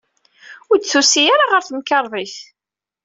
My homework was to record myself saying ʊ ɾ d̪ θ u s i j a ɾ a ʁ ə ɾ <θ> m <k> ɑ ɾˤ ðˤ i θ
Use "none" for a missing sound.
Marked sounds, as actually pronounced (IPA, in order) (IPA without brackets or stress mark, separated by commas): θ, k